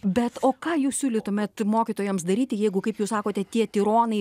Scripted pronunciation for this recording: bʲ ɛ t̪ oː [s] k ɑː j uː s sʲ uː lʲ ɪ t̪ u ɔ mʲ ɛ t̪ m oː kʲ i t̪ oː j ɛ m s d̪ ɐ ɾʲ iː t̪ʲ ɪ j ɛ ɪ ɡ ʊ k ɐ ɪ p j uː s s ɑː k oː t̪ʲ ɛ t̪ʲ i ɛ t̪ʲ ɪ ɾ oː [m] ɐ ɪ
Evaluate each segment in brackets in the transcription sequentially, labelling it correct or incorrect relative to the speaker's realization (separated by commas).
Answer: incorrect, incorrect